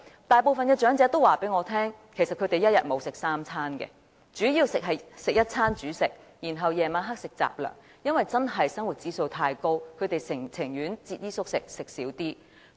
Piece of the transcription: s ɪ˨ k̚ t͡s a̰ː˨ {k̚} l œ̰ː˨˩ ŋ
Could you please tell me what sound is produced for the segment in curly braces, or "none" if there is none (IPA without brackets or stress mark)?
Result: p̚